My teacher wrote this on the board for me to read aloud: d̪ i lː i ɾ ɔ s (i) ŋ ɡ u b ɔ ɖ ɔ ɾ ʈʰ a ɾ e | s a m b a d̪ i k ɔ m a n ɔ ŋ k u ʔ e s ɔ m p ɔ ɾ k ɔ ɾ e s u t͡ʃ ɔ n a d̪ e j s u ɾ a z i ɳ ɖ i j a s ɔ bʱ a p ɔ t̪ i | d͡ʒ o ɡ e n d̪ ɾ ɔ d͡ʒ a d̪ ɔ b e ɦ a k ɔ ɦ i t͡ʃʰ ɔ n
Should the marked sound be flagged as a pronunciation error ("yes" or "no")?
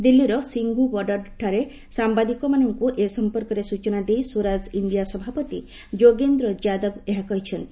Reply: no